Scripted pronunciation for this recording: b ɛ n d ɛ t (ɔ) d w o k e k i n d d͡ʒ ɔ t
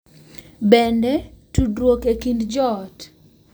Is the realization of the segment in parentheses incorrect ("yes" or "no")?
yes